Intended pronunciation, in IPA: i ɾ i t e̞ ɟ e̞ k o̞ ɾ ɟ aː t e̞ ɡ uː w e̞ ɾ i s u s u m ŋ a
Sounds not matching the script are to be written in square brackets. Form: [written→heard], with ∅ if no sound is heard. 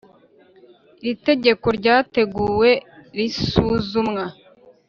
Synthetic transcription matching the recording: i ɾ i t e̞ ɟ e̞ k o̞ ɾ ɟ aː t e̞ ɡ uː w e̞ ɾ i s u [s→z] u m ŋ a